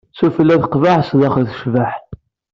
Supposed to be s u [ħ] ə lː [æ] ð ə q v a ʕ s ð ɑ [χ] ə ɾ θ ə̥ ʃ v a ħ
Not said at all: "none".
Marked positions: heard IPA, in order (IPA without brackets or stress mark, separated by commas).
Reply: f, æ, χ